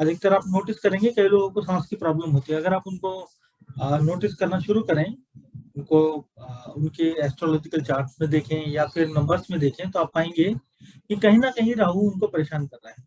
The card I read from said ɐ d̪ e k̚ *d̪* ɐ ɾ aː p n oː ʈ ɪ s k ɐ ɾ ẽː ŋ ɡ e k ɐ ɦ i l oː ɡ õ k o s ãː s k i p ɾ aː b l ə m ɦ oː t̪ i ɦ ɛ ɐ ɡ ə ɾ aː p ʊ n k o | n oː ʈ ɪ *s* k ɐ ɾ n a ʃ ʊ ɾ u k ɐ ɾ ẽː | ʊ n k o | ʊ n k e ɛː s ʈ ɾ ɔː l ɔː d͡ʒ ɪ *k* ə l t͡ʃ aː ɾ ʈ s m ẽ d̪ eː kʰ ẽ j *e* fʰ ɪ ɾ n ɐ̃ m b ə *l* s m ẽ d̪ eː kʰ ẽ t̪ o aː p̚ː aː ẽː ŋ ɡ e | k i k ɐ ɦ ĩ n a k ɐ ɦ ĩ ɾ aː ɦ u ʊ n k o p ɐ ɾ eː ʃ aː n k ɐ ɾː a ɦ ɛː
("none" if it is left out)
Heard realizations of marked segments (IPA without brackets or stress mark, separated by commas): t̪, s, k, a, ɾ